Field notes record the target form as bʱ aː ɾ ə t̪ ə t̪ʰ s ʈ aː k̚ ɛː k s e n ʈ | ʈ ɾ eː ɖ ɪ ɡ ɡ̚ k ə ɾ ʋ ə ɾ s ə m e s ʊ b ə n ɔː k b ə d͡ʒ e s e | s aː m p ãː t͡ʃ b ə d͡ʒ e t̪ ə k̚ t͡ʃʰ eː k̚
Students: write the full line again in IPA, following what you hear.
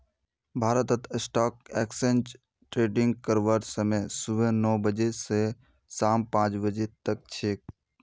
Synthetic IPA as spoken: bʱ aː ɾ ə t̪ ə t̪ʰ s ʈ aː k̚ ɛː k s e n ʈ | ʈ ɾ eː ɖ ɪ ŋ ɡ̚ k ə ɾ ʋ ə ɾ s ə m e s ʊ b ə n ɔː b ə d͡ʒ e s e | s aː m p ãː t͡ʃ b ə d͡ʒ e t̪ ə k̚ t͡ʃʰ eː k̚